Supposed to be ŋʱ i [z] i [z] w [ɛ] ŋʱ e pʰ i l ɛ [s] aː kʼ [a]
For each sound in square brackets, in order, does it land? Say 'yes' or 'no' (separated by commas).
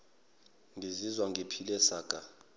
yes, yes, no, yes, yes